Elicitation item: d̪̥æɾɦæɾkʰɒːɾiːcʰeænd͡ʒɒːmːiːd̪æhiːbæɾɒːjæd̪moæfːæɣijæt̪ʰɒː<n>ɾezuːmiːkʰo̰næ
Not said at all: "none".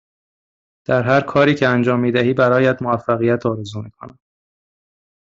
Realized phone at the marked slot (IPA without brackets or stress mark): none